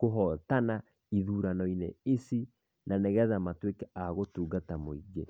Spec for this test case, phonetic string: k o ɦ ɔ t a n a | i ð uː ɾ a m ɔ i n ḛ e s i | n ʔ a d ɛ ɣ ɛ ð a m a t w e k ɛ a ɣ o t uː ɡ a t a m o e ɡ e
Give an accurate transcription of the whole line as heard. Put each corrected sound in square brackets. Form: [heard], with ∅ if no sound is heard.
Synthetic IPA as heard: k o ɦ ɔ t a n a | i ð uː ɾ a [n] ɔ i n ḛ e s i | n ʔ a [n] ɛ ɣ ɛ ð a m a t w e k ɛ a ɣ o t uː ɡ a t a m o [i] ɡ e